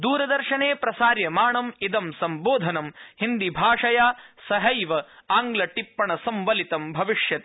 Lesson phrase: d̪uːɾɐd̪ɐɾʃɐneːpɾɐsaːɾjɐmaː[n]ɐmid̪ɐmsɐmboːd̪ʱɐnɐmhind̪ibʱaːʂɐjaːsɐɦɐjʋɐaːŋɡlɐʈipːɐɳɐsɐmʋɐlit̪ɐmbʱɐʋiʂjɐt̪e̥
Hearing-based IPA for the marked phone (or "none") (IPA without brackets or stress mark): ɳ